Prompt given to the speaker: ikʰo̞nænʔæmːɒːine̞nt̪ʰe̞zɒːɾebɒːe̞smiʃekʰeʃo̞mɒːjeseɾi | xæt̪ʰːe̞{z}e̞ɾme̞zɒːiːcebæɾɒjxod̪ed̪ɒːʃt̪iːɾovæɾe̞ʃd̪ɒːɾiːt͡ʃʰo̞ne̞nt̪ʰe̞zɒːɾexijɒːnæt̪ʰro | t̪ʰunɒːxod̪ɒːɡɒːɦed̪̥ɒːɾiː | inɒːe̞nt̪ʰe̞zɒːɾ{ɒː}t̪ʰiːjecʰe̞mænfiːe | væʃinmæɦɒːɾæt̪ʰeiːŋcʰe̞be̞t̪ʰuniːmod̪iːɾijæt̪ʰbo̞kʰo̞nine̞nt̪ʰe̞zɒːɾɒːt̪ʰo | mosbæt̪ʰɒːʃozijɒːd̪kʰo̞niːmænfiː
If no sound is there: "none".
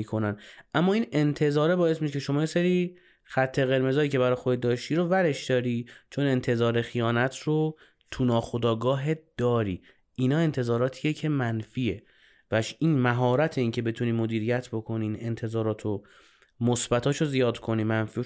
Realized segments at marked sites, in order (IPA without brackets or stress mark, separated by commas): ɣ, ɒː